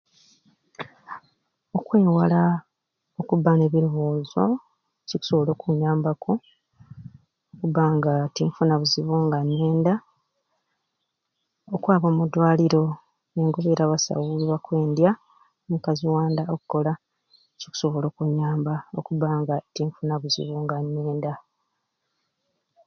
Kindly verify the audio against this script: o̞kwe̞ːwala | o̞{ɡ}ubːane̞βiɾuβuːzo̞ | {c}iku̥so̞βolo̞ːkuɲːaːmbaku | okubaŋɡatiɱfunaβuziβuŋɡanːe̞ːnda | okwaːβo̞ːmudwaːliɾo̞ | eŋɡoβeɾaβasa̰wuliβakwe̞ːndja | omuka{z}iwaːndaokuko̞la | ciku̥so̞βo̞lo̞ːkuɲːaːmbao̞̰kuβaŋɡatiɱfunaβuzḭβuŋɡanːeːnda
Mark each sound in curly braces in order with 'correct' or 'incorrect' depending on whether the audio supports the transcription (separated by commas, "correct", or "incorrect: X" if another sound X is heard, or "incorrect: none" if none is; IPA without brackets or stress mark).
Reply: incorrect: k, correct, correct